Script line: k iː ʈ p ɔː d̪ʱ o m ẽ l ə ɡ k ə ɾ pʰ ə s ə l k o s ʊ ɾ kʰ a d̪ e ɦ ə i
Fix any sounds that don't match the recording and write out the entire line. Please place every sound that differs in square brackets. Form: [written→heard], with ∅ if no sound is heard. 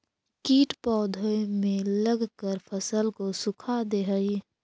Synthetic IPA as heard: k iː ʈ p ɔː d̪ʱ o m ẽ l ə ɡ k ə ɾ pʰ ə s ə l k o s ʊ [ɾ→∅] kʰ a d̪ e ɦ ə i